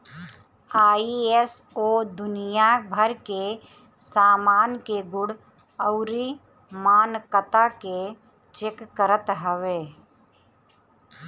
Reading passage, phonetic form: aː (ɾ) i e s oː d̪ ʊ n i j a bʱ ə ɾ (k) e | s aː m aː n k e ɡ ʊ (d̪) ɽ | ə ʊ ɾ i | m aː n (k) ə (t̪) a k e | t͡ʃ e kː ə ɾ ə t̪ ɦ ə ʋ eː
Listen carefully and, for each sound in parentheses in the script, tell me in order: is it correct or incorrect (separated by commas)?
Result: incorrect, correct, incorrect, correct, correct